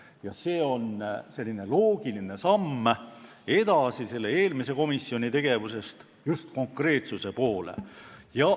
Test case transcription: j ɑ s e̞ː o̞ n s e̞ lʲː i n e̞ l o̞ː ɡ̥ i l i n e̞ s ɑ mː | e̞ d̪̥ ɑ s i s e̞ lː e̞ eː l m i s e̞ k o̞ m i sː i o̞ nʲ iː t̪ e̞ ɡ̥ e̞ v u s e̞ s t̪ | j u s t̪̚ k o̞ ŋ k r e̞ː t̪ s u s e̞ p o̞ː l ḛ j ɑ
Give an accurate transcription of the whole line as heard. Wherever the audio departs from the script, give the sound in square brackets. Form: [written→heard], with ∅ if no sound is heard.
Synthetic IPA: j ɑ s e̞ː o̞ n s e̞ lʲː i n e̞ l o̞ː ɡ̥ i l i n e̞ s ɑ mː | e̞ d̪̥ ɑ s i s e̞ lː e̞ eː l m i s e̞ k o̞ m i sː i o̞ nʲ [iː→i] t̪ e̞ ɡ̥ e̞ v u s e̞ s t̪ | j u s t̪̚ k o̞ ŋ k r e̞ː t̪ s u s e̞ p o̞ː l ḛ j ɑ